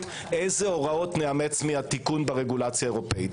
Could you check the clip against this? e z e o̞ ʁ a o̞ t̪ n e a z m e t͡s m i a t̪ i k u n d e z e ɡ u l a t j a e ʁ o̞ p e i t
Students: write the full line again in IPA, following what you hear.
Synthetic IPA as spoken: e z e o̞ ʁ a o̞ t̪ n e a m e t͡s m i a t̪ i k u n b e ʁ e ɡ u l a t͡s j a e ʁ o̞ p e i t

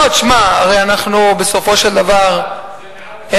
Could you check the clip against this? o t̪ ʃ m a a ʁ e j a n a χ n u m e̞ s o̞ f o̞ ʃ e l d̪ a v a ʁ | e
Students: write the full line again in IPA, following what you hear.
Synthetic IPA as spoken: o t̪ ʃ m a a ʁ e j a n a χ n u b e̞ s o̞ f o̞ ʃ e l d̪ a v a ʁ | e

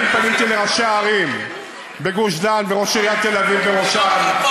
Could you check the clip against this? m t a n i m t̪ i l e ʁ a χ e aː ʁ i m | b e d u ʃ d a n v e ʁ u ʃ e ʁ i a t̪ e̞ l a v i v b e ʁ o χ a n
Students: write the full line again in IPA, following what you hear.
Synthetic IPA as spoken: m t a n i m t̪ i l e ʁ a ʃ e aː ʁ i m | b e ɡ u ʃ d a n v e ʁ o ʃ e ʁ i a t̪ e̞ l a v i v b e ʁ o ʃ a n

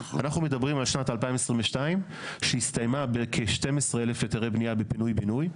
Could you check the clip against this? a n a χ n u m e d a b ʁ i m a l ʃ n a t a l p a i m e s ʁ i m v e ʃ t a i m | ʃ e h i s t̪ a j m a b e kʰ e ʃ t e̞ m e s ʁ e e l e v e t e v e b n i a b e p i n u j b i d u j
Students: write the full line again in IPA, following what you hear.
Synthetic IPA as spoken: a n a χ n u m e d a b ʁ i m a l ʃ n a t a l p a i m e s ʁ i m v e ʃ t a i m | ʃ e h i s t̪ a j m a b e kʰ e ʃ t e̞ m e s ʁ e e l e f e t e ʁ e b n i a b e p i n u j b i n u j

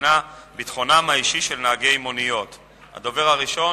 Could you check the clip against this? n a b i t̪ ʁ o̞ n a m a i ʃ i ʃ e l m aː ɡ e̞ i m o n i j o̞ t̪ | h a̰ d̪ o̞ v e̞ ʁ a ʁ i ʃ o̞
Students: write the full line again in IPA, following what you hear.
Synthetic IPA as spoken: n a b i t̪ χ o̞ n a m a i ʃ i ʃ e l n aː ɡ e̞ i m o n i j o̞ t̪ | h a̰ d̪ o̞ v e̞ ʁ a ʁ i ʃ o̞

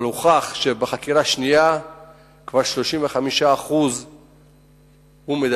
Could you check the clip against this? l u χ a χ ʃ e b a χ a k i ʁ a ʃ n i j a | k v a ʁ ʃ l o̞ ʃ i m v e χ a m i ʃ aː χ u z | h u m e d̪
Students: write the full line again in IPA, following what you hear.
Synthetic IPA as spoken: l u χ a χ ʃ e b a χ a k i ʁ a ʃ n i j a | k v a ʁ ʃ l o̞ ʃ i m v e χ a m i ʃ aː χ u z | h u m e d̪

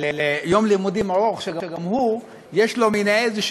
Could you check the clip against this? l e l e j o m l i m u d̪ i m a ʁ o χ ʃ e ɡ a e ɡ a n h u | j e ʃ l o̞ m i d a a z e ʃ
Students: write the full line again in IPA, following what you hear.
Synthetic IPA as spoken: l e l e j o m l i m u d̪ i m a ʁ o χ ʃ e ɡ a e ɡ a m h u | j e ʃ l o̞ m i n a e z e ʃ

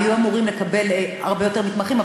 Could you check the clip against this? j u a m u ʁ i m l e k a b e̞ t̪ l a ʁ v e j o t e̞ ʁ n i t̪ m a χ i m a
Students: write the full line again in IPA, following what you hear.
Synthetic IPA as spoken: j u a m u ʁ i m l e k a b e̞ l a ʁ b e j o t e̞ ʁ m i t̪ m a χ i m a

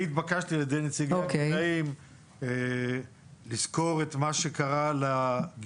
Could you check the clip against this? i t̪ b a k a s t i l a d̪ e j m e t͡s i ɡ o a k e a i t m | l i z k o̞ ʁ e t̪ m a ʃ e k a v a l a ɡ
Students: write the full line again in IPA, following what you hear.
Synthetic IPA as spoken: i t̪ b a k a ʃ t i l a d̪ e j n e t͡s i ɡ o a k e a i m | l i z k o̞ ʁ e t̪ m a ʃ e k a ʁ a l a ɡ

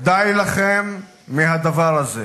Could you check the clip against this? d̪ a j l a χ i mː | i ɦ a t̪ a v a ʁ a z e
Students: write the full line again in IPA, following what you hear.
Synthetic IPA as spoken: d̪ a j l a χ e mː | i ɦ a d̪ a v a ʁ a z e

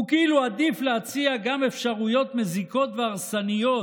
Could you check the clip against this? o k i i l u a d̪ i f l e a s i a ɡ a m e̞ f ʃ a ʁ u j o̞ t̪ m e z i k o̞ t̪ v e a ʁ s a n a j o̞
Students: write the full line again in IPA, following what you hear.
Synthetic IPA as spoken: u k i i l u a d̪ i f l e a t͡s i a ɡ a m e̞ f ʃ a ʁ u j o̞ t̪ m e z i k o̞ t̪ v e a ʁ s a n i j o̞

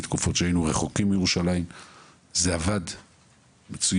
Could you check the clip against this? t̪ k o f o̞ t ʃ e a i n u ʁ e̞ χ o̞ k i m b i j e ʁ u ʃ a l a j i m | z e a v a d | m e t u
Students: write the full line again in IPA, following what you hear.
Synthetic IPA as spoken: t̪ k u f o̞ t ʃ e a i n u ʁ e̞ χ o̞ k i m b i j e ʁ u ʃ a l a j i m | z e a v a d | m e t͡s u

